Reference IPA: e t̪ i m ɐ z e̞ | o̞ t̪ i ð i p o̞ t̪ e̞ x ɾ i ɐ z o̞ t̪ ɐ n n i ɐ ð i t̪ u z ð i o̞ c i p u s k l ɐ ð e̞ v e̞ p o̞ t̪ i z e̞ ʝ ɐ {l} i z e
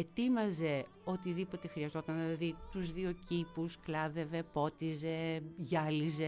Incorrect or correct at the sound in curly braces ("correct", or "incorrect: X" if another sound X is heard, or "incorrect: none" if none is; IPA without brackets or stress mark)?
correct